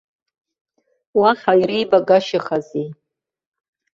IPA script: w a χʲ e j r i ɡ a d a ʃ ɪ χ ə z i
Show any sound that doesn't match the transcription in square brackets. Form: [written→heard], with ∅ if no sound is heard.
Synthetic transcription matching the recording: w a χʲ [e→a] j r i [ɡ→b] a [d→ɡ] a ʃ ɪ χ [ə→a] z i